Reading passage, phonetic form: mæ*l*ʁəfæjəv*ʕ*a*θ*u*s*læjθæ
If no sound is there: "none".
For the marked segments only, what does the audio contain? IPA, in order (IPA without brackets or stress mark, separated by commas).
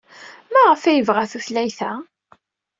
none, ʁ, θ, θ